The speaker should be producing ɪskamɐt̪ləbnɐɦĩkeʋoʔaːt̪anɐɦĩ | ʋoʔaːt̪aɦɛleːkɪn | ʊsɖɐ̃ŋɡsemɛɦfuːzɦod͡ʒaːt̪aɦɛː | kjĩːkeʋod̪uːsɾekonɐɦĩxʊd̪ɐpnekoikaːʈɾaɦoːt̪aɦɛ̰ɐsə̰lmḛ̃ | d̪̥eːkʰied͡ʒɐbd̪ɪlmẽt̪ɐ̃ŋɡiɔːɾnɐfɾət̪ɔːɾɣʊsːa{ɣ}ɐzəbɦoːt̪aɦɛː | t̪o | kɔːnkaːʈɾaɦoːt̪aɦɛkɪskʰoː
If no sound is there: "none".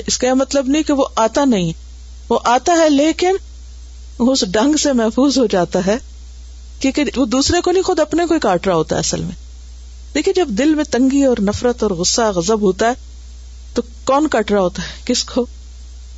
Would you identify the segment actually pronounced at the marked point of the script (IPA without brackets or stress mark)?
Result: ɣ